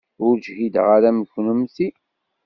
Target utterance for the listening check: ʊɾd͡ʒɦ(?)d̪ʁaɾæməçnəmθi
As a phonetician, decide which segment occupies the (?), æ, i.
i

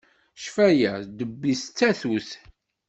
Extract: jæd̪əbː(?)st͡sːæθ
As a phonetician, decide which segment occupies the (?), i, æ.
i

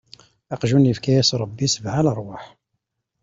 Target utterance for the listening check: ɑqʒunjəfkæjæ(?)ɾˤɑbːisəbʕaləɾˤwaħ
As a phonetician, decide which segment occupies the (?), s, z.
s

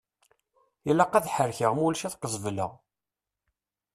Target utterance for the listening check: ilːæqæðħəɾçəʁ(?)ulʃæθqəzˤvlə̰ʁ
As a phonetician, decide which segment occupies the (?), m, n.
m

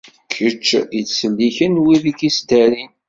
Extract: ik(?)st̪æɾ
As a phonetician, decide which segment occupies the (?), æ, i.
i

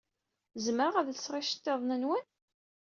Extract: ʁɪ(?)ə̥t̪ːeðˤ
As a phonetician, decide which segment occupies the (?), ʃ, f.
ʃ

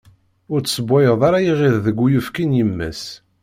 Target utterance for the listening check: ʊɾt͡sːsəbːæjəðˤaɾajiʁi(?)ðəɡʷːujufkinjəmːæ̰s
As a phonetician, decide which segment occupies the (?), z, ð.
ð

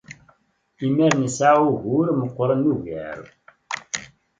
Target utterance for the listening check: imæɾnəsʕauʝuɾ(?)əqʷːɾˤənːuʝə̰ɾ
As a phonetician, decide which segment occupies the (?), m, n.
m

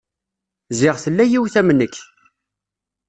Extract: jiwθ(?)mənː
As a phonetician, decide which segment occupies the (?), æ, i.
æ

